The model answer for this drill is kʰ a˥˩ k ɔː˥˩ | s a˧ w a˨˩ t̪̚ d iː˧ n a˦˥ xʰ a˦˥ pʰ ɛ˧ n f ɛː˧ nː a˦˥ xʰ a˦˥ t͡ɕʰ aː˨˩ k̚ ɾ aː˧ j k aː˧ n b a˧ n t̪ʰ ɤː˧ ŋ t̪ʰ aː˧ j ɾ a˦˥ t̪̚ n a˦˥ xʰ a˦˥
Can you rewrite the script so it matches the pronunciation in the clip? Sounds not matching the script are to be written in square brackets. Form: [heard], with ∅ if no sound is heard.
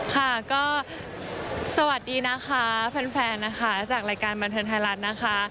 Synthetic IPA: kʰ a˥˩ k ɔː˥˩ | s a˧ w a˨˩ t̪̚ d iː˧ n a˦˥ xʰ a˦˥ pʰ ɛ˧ n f ɛː˧ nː a˦˥ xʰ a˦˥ [t͡ɕ] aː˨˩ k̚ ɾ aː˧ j k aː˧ n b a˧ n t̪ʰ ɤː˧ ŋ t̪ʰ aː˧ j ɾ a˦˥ t̪̚ n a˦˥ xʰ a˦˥